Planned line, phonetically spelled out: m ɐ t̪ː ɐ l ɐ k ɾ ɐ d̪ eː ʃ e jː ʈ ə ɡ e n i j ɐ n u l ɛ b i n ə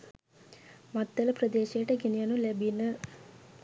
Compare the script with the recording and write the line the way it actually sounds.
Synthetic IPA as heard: m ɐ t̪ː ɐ l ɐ p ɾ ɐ d̪ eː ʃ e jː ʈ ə ɡ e n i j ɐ n u l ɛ b i n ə